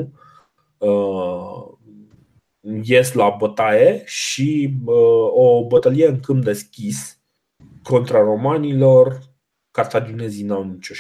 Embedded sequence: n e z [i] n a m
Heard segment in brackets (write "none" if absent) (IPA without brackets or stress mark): i